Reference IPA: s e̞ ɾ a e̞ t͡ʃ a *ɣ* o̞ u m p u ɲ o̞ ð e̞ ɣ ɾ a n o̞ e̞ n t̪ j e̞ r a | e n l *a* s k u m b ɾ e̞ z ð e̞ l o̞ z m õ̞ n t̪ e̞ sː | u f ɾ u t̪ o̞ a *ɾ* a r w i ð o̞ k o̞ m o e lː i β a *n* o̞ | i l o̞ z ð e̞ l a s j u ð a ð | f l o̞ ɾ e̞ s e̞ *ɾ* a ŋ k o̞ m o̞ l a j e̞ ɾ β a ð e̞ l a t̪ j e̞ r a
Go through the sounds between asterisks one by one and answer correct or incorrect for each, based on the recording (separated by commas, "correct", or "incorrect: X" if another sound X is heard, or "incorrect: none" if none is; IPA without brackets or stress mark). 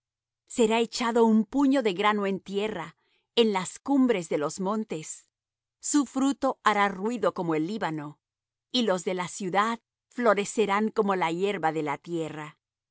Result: incorrect: ð, correct, correct, correct, correct